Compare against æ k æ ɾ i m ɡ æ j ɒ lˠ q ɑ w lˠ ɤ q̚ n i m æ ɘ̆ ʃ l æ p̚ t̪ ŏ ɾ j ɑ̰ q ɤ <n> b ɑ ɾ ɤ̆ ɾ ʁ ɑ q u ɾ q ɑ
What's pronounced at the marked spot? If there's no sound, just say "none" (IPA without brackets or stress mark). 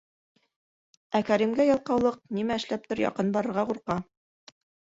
n